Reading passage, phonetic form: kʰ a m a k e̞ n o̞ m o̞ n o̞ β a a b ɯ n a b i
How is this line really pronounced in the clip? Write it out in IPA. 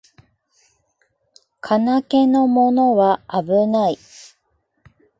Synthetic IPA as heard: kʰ a n a k e̞ n o̞ m o̞ n o̞ β a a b ɯ n a i